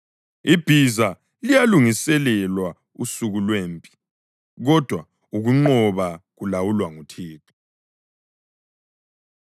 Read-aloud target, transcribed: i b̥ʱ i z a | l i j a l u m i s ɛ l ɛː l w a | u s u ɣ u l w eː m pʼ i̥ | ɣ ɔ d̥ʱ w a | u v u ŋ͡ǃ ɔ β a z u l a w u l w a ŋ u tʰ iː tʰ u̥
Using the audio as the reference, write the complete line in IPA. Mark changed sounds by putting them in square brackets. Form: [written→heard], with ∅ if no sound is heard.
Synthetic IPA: i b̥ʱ i z a | l i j a l u [m→ŋ] i s ɛ l [ɛː→ɛ] l w a | u s u ɣ u l w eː m pʼ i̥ | ɣ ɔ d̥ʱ w a | u [v→ɣ] u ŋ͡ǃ ɔ β a [z→ɣ] u l a w u l w a ŋ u tʰ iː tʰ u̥